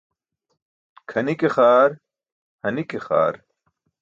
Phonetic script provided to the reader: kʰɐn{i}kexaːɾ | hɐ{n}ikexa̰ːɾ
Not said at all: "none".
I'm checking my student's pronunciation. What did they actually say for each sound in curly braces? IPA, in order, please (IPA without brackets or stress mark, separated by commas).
i, n